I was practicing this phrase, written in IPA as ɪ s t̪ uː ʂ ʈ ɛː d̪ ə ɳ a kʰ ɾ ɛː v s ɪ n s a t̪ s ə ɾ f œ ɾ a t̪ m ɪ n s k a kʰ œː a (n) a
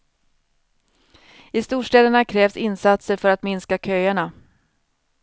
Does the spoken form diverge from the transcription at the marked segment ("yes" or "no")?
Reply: yes